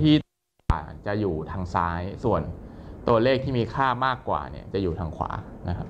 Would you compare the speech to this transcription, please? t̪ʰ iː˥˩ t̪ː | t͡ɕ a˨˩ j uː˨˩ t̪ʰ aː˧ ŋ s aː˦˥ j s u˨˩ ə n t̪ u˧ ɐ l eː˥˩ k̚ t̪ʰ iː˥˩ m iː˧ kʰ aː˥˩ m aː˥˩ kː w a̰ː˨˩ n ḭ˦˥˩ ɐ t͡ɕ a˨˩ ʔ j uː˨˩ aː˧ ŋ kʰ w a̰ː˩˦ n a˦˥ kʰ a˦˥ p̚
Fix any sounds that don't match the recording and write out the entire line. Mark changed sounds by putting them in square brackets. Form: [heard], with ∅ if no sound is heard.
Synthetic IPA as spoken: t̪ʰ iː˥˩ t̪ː | t͡ɕ a˨˩ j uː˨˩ t̪ʰ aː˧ ŋ s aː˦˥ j s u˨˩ ə n t̪ u˧ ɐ l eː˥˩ k̚ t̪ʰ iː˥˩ m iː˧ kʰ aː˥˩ m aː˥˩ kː w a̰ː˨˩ n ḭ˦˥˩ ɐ t͡ɕ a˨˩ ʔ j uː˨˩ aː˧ ŋ kʰ w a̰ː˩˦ n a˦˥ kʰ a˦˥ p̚